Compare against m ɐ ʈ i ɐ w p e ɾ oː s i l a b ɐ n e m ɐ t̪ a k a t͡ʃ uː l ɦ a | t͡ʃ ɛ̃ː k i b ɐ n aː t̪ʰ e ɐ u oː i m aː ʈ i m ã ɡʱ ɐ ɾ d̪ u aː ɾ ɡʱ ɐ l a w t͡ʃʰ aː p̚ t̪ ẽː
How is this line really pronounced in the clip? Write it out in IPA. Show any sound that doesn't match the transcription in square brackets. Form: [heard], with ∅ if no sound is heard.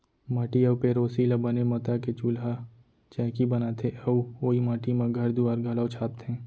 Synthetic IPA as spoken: m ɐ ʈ i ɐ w p e ɾ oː s i l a b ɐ n e m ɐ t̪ a k [e] t͡ʃ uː l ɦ a | t͡ʃ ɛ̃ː k i b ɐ n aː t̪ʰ e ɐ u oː i m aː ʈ i m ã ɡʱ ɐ ɾ d̪ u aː ɾ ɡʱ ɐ l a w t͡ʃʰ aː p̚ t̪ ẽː